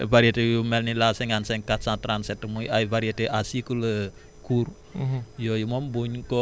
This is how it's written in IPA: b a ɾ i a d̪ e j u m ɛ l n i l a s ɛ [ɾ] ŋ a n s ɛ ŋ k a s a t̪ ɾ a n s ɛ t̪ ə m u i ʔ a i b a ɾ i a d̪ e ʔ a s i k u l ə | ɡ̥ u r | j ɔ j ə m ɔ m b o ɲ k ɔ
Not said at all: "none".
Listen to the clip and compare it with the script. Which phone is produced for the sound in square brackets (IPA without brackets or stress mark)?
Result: none